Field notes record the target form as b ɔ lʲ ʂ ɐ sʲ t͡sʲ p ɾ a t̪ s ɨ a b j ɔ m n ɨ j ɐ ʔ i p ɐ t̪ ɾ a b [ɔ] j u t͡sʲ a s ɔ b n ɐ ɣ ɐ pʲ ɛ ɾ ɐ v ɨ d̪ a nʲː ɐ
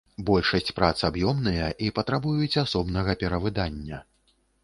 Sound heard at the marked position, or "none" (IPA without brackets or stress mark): u